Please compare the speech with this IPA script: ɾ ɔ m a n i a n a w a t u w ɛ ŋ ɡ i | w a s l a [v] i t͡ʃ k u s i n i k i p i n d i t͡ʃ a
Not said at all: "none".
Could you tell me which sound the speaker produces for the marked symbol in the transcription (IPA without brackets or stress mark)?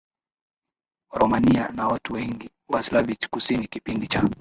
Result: v